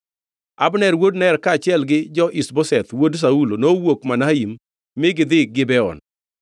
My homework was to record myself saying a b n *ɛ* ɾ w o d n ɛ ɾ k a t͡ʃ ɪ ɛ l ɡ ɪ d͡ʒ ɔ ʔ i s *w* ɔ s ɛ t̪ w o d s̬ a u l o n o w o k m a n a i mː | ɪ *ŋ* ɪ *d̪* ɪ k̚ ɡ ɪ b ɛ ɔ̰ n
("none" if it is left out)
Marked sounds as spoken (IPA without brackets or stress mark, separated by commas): ɛ, b, ɡ, d̪